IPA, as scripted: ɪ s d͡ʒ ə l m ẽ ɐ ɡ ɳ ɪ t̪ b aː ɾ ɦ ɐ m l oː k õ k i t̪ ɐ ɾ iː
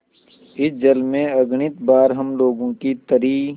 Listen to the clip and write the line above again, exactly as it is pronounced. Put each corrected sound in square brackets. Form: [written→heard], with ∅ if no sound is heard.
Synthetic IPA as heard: ɪ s d͡ʒ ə l m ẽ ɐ ɡ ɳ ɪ t̪ b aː ɾ ɦ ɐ m l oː [k→ɡ] õ k i t̪ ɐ ɾ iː